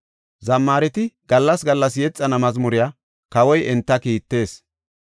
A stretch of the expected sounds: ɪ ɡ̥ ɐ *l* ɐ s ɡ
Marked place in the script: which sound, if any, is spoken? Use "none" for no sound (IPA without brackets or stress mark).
lː